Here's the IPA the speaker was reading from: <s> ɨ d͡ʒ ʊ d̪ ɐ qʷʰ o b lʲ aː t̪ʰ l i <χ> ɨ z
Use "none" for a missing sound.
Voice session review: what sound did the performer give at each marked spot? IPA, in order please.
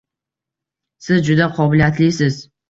s, s

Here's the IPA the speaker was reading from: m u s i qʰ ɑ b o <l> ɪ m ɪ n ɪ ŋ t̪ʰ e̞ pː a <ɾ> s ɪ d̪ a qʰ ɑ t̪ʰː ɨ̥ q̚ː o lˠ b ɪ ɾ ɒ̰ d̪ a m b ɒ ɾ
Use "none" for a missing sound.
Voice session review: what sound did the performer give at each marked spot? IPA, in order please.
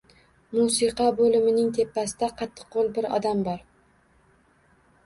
l, none

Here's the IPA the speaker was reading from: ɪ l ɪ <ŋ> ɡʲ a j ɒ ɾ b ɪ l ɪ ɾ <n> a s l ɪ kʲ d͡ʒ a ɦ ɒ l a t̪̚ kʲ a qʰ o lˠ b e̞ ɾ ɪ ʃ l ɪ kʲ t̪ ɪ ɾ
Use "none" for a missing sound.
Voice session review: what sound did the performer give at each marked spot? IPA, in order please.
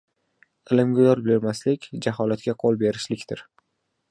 m, m

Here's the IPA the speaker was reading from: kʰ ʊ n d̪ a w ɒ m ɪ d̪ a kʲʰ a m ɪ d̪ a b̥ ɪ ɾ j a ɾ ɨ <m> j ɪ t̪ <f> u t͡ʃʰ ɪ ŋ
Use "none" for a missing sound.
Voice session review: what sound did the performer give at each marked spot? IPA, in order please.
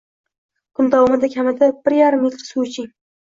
m, s

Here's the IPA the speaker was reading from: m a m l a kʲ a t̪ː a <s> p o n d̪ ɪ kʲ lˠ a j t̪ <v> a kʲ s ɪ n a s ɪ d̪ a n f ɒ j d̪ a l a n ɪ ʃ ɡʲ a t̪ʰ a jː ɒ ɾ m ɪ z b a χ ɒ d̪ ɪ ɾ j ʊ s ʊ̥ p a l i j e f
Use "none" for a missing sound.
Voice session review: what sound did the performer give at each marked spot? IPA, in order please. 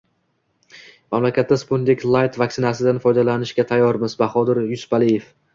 s, v

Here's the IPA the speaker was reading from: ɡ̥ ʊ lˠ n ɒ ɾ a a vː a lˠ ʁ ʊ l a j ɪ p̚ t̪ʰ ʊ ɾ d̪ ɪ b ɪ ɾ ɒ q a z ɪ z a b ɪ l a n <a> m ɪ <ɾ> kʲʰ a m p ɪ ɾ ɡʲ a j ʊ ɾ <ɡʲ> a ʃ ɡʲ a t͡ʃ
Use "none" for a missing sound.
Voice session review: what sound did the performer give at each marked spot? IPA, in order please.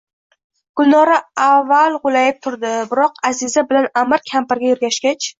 a, ɾ, ɡʲ

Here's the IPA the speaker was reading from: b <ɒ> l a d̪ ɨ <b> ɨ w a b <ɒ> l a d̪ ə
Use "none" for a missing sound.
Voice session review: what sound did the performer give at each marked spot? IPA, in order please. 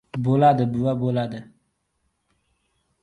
o, b, o

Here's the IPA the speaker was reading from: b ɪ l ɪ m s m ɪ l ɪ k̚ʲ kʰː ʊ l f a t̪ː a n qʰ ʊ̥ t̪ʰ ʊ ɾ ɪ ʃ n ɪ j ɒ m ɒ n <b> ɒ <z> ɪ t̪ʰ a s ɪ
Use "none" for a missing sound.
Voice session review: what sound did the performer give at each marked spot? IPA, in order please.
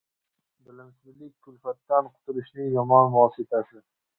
v, s

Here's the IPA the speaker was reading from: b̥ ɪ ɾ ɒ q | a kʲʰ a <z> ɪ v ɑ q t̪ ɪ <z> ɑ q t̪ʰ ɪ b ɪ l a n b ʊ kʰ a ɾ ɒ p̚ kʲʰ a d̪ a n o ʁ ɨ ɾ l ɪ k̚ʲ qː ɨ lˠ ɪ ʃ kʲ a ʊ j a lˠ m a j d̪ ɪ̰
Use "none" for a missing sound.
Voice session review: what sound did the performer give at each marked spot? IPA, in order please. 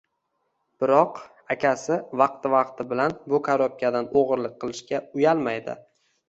s, v

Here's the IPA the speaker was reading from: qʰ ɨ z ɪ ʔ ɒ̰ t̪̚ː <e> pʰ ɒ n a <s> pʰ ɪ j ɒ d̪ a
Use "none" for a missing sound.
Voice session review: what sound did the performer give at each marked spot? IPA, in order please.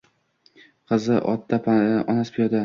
a, s

